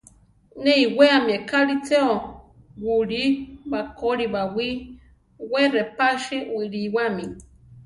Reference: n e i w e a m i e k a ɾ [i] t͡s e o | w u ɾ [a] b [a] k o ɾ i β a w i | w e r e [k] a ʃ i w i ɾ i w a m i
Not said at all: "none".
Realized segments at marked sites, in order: i, i, a, p

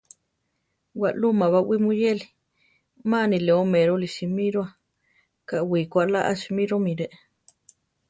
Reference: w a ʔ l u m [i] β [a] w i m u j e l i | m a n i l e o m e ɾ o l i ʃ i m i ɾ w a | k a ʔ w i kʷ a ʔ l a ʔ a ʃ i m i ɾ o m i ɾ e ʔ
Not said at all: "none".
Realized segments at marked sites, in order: a, a

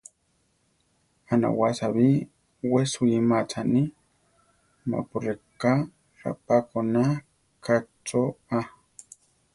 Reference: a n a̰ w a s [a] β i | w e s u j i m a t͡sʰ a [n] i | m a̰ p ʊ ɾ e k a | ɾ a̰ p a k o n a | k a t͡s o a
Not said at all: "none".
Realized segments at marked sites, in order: a, n

